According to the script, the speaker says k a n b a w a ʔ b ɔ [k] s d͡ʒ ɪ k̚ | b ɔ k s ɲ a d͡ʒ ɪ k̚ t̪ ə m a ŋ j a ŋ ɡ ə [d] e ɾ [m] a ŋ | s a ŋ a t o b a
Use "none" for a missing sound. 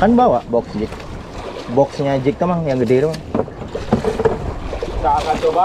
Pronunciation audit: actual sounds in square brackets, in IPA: k, d, m

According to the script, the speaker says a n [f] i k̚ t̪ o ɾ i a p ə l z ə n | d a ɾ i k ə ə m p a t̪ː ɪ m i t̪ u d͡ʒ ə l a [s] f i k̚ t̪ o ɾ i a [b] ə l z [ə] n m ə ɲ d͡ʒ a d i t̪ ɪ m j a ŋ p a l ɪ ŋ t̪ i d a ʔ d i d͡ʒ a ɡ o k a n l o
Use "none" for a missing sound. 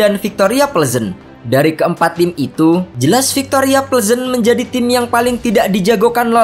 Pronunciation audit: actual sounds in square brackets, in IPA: f, s, p, ə

